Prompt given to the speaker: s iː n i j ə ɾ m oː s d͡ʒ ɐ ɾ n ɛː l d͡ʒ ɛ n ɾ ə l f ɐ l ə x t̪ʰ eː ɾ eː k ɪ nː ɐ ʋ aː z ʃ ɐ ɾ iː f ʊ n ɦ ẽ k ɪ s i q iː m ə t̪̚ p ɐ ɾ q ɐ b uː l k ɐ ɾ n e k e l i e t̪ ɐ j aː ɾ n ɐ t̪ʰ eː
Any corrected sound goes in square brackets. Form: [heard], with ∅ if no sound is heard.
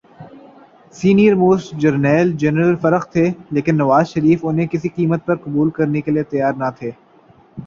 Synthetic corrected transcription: s iː n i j ə ɾ m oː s d͡ʒ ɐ ɾ n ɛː l d͡ʒ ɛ n ɾ ə l f ɐ [ɾ] ə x t̪ʰ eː [l] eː k ɪ nː ɐ ʋ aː z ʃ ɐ ɾ iː f ʊ n ɦ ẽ k ɪ s i q iː m ə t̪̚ p ɐ ɾ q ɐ b uː l k ɐ ɾ n e k e l i e t̪ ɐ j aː ɾ n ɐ t̪ʰ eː